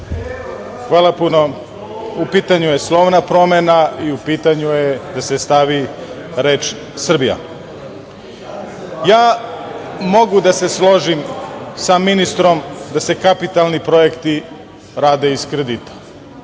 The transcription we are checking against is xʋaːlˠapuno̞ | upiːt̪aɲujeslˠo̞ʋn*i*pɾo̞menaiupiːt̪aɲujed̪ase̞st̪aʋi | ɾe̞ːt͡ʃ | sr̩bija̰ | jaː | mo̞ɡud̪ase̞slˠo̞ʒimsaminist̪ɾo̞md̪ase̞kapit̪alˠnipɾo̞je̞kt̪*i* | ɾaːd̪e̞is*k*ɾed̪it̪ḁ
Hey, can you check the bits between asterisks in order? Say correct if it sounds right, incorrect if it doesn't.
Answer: incorrect, correct, correct

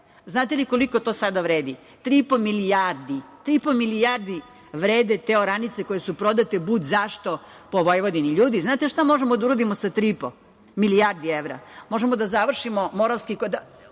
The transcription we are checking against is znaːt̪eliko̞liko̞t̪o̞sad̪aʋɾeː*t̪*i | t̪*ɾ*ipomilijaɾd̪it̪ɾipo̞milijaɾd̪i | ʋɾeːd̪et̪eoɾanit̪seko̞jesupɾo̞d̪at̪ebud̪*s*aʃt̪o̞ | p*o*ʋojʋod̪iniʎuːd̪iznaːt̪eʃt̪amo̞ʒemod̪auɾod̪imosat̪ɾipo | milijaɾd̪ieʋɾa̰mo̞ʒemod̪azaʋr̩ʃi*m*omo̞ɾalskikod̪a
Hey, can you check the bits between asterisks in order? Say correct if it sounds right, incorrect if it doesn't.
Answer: incorrect, correct, incorrect, correct, correct

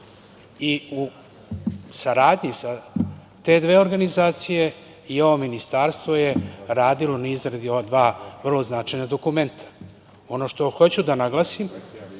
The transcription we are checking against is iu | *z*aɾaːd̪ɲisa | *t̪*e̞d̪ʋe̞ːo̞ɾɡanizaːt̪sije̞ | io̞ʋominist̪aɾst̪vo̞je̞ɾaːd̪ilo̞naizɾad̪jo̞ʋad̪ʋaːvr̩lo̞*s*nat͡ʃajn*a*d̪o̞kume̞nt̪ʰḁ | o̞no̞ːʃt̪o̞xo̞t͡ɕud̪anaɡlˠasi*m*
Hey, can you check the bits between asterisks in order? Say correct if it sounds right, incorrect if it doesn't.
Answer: incorrect, correct, incorrect, correct, correct

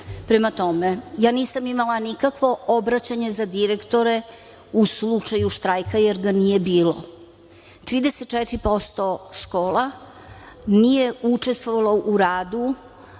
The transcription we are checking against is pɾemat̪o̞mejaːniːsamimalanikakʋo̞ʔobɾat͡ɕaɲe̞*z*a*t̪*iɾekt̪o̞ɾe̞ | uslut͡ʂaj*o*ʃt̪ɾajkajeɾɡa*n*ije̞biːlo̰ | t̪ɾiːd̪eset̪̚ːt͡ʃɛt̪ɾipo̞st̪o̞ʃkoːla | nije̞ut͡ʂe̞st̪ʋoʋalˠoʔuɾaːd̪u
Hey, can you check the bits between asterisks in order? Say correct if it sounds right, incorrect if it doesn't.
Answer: correct, incorrect, incorrect, correct

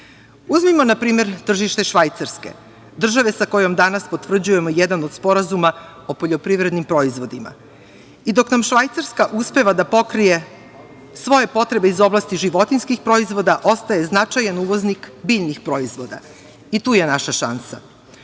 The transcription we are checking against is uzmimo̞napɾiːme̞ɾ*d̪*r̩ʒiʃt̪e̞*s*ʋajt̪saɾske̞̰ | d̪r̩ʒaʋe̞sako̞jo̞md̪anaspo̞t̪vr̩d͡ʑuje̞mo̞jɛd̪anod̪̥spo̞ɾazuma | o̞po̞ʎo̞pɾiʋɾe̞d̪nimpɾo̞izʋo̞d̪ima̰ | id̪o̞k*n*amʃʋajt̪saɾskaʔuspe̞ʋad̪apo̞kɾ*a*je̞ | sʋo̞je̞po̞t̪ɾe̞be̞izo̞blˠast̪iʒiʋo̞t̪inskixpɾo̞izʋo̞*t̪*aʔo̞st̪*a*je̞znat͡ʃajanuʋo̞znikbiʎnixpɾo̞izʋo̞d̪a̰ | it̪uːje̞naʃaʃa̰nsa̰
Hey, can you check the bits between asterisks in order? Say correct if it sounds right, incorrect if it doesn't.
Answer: incorrect, incorrect, correct, incorrect, incorrect, correct

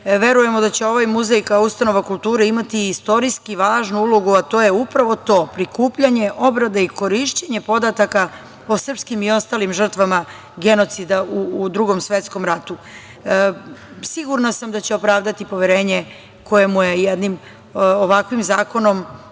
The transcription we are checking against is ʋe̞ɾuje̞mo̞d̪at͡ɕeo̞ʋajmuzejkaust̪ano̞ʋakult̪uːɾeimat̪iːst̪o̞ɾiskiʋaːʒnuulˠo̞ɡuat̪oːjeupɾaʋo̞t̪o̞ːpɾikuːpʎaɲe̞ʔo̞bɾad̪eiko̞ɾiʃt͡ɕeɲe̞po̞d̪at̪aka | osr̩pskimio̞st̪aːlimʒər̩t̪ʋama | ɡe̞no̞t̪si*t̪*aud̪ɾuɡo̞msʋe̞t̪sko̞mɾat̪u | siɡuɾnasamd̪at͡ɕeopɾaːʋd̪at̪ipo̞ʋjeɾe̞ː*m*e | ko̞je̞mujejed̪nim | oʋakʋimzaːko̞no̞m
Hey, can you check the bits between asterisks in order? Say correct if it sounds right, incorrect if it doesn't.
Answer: incorrect, incorrect

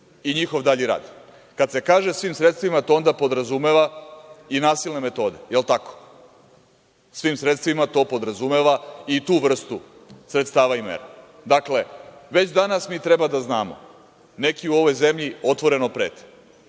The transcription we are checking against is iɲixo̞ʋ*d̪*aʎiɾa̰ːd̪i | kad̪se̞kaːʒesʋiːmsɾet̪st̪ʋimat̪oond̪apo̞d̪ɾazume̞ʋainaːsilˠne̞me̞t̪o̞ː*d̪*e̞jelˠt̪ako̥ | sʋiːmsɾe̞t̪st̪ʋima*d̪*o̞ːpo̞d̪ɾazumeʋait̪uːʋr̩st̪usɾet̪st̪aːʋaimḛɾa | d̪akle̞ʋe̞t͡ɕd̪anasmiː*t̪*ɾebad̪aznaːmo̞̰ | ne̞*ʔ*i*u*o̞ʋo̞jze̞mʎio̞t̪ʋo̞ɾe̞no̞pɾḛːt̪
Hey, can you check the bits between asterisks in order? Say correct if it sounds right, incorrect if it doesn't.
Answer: correct, correct, incorrect, correct, incorrect, correct

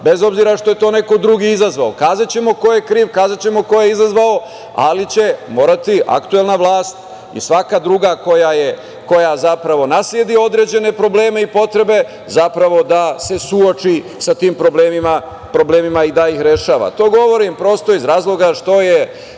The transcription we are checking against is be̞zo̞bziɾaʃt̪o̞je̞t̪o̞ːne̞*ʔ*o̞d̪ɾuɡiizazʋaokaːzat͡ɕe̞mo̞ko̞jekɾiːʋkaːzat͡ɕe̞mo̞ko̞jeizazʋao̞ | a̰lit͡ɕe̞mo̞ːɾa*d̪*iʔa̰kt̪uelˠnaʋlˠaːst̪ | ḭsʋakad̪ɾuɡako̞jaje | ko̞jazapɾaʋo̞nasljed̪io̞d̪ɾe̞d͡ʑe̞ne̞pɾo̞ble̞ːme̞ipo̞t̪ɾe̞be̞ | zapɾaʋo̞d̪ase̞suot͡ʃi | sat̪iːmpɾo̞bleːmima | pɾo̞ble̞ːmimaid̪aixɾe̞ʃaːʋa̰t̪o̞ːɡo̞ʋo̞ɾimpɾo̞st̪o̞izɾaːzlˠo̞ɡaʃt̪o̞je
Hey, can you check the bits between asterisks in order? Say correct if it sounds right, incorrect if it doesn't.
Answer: incorrect, incorrect

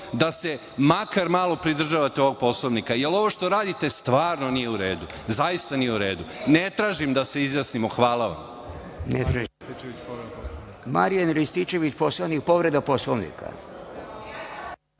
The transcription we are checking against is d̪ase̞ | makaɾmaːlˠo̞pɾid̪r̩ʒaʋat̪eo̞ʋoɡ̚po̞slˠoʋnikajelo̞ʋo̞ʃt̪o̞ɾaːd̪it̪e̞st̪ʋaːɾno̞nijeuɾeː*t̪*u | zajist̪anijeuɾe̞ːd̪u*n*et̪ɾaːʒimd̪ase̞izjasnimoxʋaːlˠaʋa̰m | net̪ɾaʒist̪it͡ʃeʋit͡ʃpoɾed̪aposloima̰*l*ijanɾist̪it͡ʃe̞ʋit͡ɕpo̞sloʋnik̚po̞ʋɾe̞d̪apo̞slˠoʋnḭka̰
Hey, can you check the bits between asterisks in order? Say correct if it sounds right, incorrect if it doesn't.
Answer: incorrect, correct, incorrect

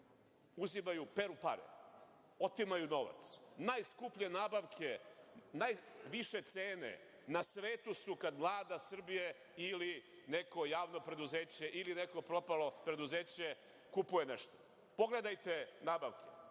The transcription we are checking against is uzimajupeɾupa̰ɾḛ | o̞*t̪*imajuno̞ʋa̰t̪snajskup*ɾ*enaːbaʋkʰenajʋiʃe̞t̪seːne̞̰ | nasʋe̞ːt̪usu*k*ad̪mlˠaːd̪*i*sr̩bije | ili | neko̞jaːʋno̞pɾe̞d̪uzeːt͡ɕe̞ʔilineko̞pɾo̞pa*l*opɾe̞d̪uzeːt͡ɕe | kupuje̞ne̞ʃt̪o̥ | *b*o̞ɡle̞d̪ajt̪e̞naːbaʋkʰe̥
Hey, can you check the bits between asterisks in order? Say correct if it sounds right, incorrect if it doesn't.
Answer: correct, incorrect, correct, incorrect, correct, incorrect

